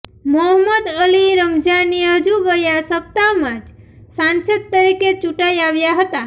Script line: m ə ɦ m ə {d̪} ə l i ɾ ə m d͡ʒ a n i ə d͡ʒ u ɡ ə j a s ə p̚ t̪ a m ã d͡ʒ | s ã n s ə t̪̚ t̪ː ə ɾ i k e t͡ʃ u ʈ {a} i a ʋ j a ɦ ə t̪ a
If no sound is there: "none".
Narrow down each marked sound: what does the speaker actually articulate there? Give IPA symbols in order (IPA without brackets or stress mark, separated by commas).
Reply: d̪, a